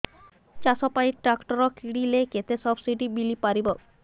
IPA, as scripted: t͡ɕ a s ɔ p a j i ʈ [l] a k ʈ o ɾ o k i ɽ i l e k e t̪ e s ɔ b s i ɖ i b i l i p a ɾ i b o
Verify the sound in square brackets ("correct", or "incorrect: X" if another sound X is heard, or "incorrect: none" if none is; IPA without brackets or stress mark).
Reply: incorrect: ɾ